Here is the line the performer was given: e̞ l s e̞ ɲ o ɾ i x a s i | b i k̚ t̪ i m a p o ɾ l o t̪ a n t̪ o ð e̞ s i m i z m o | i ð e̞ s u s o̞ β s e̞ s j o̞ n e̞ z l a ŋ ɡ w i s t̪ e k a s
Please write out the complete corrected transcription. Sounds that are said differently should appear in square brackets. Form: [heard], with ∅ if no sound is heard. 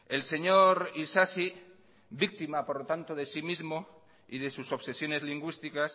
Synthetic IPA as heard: e̞ l s e̞ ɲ o ɾ i [s] a s i | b i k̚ t̪ i m a p o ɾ l o t̪ a n t̪ o ð e̞ s i m i z m o | i ð e̞ s u s o̞ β s e̞ s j o̞ n e̞ z l [i] ŋ ɡ w i s t̪ [i] k a s